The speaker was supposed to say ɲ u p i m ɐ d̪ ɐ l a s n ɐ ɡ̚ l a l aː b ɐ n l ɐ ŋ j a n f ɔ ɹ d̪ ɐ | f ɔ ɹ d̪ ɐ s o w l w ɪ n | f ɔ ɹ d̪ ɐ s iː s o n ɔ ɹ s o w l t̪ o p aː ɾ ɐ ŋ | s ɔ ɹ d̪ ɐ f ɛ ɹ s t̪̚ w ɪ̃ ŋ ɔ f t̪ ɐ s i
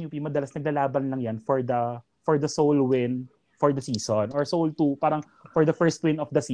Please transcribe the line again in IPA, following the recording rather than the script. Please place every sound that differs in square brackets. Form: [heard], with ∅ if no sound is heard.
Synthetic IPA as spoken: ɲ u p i m ɐ d̪ ɐ l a s n ɐ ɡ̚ l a l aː b ɐ n l ɐ ŋ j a n f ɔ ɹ d̪ ɐ | f ɔ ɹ d̪ ɐ s o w l w ɪ n | f ɔ ɹ d̪ ɐ s iː s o n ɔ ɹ s o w l t̪ [u] p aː ɾ ɐ ŋ | [f] ɔ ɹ d̪ ɐ f ɛ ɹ s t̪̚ w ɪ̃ [n] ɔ f [d̪] ɐ s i